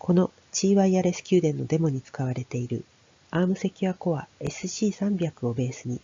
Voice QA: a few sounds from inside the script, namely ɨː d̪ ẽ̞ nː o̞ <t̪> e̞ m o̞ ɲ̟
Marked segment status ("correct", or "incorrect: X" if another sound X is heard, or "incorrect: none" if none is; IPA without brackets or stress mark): incorrect: d̪